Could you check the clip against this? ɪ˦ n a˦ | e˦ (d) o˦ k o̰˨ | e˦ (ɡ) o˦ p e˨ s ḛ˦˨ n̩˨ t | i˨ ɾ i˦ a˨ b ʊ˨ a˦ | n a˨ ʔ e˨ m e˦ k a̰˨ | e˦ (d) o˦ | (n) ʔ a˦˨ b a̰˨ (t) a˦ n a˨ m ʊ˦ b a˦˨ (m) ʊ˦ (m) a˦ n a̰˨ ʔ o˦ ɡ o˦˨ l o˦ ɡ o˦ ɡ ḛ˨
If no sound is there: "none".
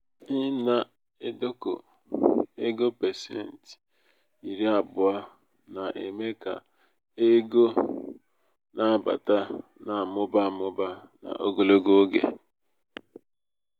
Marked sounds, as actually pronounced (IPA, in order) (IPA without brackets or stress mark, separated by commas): d, ɡ, ɡ, n, t, m, b